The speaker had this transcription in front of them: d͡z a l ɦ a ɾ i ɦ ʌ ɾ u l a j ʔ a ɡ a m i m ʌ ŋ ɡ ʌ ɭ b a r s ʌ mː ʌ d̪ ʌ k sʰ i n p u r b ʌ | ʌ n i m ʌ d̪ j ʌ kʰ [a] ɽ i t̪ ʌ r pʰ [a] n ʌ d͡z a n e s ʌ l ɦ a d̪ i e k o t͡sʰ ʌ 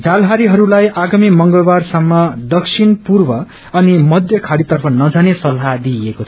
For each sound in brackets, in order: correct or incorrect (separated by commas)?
correct, incorrect